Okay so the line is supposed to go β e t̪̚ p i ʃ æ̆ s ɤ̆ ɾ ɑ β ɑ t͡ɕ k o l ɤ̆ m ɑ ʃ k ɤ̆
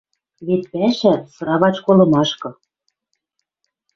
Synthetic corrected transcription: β e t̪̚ p æ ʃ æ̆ s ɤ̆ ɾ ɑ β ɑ t͡ɕ k o l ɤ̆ m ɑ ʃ k ɤ̆